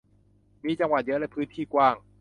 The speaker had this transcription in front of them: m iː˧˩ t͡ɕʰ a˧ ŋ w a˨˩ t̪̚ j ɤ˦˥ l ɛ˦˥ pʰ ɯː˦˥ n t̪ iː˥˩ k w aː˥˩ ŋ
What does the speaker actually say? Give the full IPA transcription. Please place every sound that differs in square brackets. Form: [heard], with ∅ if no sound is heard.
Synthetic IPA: m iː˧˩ [t͡ɕ] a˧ ŋ w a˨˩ t̪̚ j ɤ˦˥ l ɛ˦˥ pʰ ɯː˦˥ n [t̪ʰ] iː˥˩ k w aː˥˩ ŋ